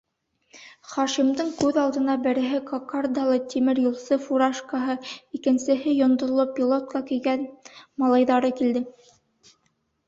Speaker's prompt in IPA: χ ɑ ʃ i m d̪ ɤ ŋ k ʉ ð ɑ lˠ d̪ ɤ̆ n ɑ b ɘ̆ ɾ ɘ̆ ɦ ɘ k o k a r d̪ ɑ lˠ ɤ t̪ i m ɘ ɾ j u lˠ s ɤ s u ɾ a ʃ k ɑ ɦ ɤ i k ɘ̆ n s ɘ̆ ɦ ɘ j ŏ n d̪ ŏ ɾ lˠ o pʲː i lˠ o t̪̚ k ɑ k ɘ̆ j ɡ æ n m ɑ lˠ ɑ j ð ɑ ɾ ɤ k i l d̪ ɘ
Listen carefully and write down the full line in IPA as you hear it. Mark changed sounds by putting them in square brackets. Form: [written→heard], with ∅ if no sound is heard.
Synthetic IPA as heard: χ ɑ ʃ i m d̪ ɤ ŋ k ʉ ð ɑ lˠ d̪ ɤ̆ n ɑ b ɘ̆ ɾ ɘ̆ ɦ ɘ k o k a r d̪ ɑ lˠ ɤ t̪ i m ɘ ɾ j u lˠ s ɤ [s→f] u ɾ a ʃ k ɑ ɦ ɤ i k ɘ̆ n s ɘ̆ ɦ ɘ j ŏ n d̪ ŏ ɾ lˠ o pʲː i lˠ o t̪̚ k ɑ k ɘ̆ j ɡ æ n m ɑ lˠ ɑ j ð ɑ ɾ ɤ k i l d̪ ɘ